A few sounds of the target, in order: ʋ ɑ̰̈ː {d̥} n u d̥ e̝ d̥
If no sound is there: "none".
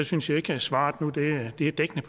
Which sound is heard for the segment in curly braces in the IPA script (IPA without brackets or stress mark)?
d̥